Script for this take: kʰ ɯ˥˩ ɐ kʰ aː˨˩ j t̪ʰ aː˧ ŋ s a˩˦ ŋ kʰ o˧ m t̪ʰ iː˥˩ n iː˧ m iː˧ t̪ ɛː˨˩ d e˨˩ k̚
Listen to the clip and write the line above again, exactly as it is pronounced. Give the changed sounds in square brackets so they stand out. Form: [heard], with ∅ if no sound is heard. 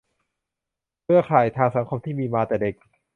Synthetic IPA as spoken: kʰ ɯ˥˩ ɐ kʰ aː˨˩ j t̪ʰ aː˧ ŋ s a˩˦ ŋ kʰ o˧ m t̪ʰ iː˥˩ [m] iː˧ m [aː˧] t̪ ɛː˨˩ d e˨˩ k̚